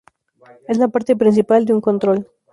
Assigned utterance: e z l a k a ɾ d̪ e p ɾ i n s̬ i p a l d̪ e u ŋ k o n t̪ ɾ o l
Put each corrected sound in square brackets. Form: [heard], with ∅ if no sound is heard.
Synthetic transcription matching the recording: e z l a [p] a ɾ [t̪] e p ɾ i n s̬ i p a l d̪ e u ŋ k o n t̪ ɾ o l